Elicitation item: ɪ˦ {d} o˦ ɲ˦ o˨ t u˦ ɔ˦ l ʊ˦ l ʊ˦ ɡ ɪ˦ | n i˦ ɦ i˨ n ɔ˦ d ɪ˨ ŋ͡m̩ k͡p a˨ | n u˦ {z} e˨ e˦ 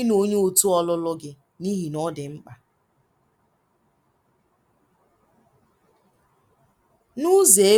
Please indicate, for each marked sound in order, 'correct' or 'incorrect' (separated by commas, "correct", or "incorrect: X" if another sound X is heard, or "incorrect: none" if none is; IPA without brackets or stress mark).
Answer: incorrect: n, correct